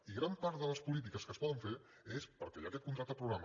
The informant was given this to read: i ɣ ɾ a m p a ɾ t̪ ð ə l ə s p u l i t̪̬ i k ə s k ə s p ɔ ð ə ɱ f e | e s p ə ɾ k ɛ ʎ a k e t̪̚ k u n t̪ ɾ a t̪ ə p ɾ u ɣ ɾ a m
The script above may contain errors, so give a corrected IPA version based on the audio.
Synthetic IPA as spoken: i ɣ ɾ a m p a ɾ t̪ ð ə l ə s p u l i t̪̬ i k ə s k ə s p ɔ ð ə ɱ f e | e s p ə ɾ k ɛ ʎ a k ɛ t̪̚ k u n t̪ ɾ a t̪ ə p ɾ u ɣ ɾ a m